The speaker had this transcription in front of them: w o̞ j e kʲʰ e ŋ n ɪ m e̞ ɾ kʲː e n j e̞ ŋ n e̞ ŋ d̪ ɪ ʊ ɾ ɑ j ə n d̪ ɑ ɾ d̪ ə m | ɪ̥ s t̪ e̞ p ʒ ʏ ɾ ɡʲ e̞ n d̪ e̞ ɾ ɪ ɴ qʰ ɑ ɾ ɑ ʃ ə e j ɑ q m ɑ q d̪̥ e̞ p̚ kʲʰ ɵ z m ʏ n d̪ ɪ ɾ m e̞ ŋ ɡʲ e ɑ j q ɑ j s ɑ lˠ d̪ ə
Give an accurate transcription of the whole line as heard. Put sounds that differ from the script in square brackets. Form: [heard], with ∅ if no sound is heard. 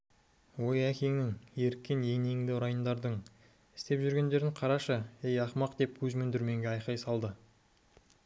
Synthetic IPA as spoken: w o̞ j [æ] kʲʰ e ŋ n ɪ [ŋ] e̞ ɾ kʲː e n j e̞ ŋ n e̞ ŋ d̪ ɪ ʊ ɾ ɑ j ə n d̪ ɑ ɾ d̪ ə [ɴ] | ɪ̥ s t̪ e̞ p ʒ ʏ ɾ ɡʲ e̞ n d̪ e̞ ɾ ɪ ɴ qʰ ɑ ɾ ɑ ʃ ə e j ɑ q m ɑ q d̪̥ e̞ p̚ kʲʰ ɵ z m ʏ n d̪ ɪ ɾ m e̞ ŋ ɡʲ e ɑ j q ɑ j s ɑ lˠ d̪ ə